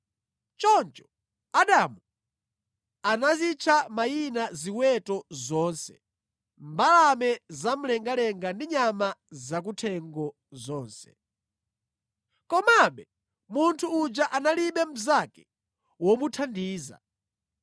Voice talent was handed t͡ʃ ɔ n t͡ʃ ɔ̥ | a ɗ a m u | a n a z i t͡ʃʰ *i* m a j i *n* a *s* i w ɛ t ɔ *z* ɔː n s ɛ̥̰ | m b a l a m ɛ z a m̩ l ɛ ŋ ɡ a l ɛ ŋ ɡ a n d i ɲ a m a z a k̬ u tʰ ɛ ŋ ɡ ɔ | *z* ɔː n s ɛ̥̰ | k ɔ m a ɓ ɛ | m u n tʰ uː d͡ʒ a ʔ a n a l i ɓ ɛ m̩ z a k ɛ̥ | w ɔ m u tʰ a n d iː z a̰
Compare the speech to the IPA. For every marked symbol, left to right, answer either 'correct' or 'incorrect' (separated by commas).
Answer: incorrect, correct, incorrect, correct, correct